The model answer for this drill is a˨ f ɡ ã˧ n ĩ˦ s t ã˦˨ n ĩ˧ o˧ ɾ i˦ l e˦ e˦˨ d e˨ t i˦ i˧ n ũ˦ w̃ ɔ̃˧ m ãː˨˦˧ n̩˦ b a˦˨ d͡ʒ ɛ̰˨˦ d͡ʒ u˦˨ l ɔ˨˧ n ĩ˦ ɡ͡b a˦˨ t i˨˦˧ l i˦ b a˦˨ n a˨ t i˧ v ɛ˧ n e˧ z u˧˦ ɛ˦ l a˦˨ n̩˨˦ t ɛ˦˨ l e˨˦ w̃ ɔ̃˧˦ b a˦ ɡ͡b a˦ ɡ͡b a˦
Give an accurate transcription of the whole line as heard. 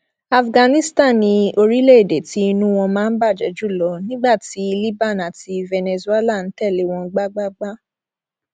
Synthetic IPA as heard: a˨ f ɡ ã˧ n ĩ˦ s t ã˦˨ n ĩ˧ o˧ ɾ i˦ l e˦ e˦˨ d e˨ t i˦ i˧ n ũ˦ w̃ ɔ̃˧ m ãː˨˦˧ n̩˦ b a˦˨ d͡ʒ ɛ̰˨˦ d͡ʒ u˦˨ l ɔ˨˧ n ĩ˦ ɡ͡b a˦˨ t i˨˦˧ l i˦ b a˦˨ n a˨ t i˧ v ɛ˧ n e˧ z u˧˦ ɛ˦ l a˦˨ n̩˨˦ t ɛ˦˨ l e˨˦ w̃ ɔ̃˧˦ ɡ͡b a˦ ɡ͡b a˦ ɡ͡b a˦